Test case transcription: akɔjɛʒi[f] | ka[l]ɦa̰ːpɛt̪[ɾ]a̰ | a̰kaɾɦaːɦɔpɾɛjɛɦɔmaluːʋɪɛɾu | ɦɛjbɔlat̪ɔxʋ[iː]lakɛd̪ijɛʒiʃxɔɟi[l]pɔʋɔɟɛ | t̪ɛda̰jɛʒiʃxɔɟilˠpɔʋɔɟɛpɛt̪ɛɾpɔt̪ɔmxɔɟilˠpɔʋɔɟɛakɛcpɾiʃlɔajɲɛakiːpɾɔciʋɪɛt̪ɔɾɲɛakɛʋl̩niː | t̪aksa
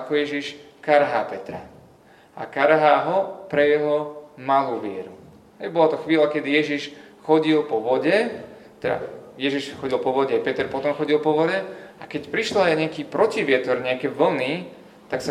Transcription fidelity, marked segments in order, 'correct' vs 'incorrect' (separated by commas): incorrect, incorrect, correct, correct, correct